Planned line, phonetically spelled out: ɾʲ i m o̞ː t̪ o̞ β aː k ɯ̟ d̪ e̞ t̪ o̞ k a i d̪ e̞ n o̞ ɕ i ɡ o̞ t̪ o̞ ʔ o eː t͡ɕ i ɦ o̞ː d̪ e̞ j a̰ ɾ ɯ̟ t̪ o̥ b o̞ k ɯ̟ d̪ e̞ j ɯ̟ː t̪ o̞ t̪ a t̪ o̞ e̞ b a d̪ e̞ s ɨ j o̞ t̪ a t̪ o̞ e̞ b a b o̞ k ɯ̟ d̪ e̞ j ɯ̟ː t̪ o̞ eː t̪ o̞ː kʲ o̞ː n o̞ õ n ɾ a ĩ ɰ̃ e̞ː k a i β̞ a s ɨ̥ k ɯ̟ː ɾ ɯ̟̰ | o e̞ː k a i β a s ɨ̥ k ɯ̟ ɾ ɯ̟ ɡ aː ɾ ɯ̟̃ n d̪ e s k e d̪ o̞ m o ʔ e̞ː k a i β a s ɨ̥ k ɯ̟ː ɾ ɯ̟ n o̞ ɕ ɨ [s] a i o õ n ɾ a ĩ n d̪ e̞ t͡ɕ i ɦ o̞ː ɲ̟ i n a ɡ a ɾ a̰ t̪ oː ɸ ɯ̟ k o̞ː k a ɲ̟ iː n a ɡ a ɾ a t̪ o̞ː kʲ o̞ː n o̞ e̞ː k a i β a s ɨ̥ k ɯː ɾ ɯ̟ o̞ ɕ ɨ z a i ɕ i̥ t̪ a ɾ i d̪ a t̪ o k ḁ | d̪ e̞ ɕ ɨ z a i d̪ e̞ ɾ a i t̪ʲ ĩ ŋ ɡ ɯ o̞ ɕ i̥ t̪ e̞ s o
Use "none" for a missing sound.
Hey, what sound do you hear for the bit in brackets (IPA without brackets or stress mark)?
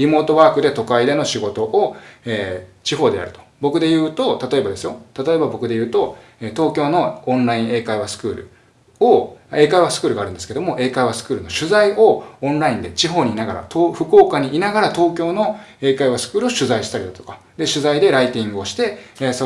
z